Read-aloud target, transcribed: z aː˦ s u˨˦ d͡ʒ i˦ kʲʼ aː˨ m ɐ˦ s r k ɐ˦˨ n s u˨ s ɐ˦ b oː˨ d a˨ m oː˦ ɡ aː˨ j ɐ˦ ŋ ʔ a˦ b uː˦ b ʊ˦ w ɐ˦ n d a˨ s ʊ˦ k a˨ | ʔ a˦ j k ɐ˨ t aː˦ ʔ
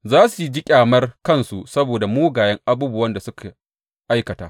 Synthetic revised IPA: z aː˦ s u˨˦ d͡ʒ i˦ kʲʼ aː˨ m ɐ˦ r k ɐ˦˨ n s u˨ s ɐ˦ b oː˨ d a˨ m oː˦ ɡ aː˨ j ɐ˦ ŋ ʔ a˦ b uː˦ b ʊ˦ w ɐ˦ n d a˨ s ʊ˦ k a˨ | ʔ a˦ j k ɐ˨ t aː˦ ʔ